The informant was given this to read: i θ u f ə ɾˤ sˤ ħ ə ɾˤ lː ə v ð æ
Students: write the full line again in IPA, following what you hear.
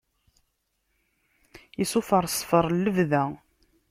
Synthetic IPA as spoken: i s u f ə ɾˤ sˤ f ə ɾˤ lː ə v ð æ